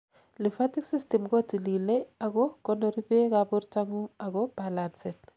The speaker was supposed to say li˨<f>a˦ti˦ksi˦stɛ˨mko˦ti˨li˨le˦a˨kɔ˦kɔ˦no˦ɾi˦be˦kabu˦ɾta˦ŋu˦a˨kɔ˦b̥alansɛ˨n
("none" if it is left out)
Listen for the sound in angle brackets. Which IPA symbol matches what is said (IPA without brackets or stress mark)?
f